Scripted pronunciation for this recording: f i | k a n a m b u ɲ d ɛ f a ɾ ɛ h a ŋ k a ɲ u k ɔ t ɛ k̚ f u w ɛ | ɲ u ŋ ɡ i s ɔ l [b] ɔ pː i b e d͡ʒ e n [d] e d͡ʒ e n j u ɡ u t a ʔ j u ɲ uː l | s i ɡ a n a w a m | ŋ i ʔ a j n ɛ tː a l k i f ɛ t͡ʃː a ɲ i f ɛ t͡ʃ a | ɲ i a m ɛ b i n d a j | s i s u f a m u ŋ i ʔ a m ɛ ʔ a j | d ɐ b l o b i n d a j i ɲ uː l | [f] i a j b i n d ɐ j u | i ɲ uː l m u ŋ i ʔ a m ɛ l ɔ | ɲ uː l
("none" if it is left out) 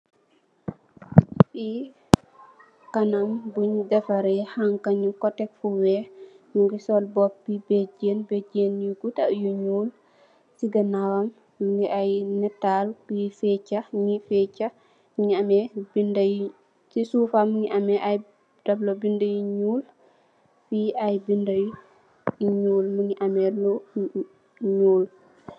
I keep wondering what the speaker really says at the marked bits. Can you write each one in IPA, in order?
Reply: b, b, f

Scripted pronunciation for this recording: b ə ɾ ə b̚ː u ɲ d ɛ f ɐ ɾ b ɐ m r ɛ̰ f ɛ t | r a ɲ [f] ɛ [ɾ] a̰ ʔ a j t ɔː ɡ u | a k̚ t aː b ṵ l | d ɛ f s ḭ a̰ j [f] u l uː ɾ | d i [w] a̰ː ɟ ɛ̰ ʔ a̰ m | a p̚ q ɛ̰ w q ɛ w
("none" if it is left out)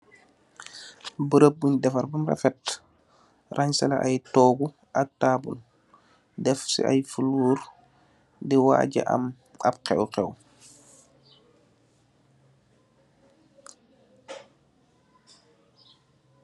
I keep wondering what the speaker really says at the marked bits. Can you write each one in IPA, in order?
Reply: s, l, f, w

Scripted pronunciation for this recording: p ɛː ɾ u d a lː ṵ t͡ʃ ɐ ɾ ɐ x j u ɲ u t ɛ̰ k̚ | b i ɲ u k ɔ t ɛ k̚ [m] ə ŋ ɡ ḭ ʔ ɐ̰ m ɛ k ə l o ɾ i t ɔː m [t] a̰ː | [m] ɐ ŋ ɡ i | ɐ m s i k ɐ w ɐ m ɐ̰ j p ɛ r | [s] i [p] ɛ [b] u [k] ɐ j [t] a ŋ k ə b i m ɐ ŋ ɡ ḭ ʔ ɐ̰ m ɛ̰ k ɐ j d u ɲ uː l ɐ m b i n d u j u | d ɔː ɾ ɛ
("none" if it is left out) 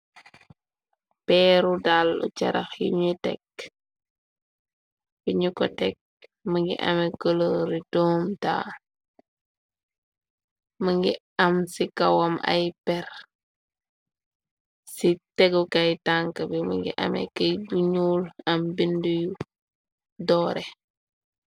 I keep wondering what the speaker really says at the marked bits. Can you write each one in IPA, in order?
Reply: m, t, m, s, t, ɡ, k, t

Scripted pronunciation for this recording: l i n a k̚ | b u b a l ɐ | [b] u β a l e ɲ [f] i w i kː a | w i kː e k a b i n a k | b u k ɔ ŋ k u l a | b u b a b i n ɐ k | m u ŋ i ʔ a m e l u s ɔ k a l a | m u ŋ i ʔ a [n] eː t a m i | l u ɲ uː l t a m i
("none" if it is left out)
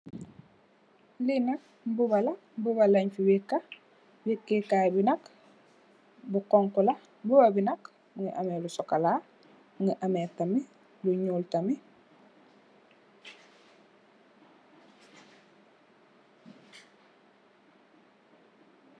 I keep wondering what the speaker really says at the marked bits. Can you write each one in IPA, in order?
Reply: b, f, m

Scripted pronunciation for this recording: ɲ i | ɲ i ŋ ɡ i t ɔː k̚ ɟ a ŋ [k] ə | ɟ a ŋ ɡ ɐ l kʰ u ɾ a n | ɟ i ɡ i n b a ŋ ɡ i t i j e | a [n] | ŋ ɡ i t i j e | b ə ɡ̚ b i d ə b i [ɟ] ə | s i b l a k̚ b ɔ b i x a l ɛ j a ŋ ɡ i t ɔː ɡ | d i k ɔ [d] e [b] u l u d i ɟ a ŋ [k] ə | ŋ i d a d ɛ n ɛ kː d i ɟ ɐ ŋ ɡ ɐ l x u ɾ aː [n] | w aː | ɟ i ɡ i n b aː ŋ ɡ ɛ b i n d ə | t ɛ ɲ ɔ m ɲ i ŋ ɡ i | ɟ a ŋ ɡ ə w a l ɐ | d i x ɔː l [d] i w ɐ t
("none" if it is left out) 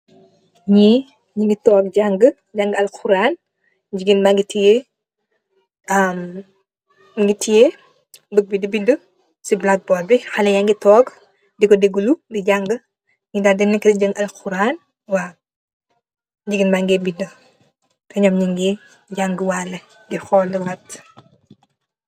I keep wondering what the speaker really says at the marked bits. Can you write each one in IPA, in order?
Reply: ɡ, m, d, d, ɡ, ɡ, n, d

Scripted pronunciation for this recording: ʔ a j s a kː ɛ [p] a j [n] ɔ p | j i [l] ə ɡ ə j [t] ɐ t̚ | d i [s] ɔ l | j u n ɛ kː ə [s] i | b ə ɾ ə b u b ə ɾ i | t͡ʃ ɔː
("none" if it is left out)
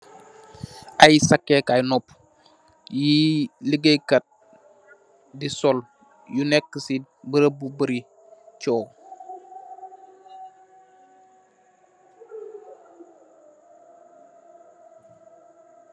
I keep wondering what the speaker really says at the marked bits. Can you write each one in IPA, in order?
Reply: k, n, l, k, s, s

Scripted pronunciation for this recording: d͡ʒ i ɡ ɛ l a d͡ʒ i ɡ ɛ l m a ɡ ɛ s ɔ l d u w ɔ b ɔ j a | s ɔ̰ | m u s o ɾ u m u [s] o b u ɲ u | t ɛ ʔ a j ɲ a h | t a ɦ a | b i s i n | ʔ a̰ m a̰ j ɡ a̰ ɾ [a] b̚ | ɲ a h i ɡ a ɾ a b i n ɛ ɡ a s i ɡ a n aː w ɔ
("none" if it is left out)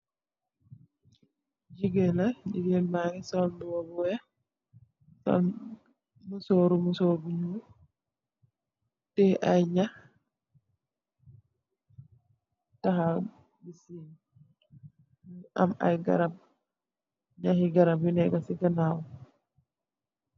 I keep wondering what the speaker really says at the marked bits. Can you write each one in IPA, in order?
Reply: s, a

